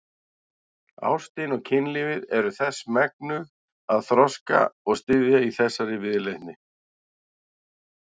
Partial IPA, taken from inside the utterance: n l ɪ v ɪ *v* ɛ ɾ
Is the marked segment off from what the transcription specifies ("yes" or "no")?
yes